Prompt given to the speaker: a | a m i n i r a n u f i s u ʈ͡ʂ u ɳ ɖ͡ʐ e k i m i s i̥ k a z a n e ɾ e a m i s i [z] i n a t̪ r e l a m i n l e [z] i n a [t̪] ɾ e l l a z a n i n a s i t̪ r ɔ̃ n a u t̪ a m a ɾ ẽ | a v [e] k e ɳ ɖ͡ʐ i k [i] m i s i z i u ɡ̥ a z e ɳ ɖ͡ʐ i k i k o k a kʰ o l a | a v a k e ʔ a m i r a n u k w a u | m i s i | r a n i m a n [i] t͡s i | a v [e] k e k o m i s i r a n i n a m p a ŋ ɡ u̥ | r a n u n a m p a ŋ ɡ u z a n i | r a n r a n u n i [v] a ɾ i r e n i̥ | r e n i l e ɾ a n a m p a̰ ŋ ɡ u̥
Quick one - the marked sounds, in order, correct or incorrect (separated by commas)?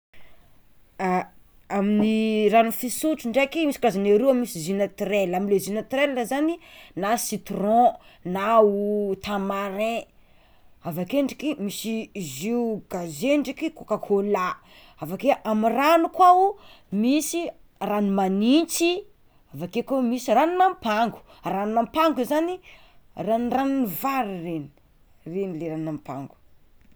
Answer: correct, correct, correct, incorrect, correct, correct, incorrect, correct